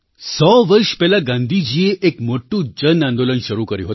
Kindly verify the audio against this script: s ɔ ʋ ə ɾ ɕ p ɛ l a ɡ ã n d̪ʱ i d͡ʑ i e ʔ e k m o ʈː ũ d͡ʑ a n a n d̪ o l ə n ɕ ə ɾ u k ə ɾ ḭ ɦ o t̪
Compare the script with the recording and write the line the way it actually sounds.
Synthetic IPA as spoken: s ɔ ʋ ə ɾ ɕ p ɛ l a ɡ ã n d̪ʱ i d͡ʑ i e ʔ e k m o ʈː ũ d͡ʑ ə n a n d̪ o l ə n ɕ ə ɾ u k ə ɾ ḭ ɦ o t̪